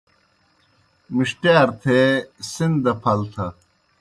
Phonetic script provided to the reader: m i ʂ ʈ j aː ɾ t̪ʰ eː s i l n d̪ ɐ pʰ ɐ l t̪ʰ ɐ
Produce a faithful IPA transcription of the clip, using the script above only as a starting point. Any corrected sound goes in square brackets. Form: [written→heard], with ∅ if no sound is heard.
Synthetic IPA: m i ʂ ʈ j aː ɾ t̪ʰ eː s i [l→∅] n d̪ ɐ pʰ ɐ l t̪ʰ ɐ